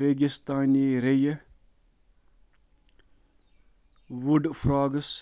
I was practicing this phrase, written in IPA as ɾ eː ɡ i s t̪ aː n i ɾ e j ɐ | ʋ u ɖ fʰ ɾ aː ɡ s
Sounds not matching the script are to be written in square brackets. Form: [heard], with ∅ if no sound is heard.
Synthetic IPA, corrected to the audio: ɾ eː ɡ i s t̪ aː n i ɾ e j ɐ | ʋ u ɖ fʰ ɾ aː ɡ s